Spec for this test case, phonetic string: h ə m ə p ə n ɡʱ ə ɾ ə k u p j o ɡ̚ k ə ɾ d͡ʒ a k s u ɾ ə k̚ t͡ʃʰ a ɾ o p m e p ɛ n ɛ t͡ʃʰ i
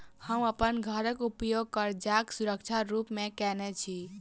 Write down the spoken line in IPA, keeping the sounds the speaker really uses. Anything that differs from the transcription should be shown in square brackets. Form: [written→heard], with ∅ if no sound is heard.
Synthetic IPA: h ə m ə p ə n ɡʱ ə ɾ ə k u p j o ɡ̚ k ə ɾ d͡ʒ a k s u ɾ ə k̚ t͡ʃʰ a ɾ [o→u] p m e [p→k] ɛ n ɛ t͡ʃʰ i